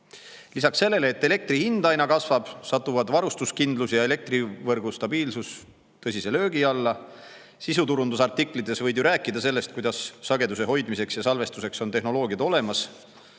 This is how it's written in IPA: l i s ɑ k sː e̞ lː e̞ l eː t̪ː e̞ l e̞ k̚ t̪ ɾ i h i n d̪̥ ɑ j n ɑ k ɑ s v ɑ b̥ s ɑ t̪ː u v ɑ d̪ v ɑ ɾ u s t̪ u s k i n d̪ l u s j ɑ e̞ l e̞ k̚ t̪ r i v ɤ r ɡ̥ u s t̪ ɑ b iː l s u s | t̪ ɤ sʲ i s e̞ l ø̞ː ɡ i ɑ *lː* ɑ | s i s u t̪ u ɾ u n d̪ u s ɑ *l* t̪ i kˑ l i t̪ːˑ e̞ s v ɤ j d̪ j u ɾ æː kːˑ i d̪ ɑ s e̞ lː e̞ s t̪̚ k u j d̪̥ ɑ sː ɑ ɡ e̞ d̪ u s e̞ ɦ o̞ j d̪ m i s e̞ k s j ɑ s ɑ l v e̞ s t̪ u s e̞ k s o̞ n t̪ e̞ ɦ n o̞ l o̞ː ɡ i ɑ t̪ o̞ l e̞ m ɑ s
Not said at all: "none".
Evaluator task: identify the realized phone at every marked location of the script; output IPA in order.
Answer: lː, r

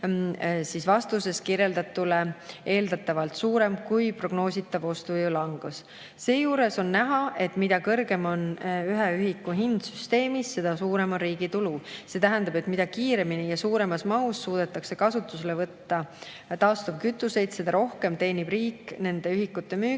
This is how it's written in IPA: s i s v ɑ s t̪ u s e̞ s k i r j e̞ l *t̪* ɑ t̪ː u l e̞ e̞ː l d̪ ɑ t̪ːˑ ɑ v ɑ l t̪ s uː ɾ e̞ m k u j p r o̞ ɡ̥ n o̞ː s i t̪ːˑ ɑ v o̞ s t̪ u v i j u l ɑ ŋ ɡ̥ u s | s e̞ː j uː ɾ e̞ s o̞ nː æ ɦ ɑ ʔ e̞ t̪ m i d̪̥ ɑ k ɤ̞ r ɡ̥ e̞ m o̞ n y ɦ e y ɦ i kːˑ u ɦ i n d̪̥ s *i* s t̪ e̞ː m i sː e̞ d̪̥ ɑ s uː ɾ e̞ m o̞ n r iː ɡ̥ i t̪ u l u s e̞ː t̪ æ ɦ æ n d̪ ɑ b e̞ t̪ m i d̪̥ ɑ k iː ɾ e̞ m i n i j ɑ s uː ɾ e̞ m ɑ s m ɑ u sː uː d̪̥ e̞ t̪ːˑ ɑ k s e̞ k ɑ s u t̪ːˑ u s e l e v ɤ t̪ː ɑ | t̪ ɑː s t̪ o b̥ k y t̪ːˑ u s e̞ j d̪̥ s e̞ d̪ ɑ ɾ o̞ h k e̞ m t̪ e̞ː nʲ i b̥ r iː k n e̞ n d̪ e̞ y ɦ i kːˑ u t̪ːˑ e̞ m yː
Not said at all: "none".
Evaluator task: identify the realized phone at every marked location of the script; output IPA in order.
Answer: d̪, y

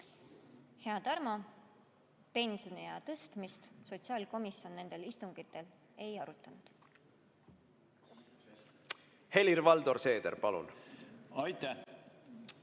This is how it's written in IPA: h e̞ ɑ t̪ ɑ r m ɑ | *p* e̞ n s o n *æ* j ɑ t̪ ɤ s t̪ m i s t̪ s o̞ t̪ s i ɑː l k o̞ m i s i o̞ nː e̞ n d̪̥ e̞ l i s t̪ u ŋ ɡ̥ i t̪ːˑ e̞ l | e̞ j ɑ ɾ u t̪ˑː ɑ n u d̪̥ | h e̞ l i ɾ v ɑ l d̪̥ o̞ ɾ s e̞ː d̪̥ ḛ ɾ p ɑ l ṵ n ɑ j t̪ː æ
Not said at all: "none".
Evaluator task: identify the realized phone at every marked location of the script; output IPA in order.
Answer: p, i

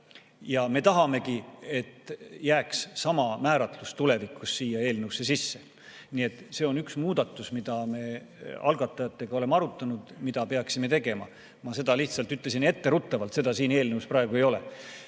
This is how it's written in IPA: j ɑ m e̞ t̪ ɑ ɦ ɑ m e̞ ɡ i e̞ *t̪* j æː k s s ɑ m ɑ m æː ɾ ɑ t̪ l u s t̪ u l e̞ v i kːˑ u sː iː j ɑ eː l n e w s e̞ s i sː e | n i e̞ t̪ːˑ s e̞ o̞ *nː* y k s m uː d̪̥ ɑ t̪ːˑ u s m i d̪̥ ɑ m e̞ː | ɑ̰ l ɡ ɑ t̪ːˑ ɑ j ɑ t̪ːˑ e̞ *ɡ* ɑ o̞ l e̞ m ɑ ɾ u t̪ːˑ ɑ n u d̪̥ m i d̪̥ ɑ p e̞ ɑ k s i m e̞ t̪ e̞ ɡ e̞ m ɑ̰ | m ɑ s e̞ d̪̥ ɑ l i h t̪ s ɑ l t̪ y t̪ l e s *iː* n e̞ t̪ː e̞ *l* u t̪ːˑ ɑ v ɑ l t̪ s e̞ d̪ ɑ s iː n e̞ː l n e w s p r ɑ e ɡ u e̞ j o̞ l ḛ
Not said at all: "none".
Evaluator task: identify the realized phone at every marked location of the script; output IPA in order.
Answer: t̪, n, ɡ, i, ɾ

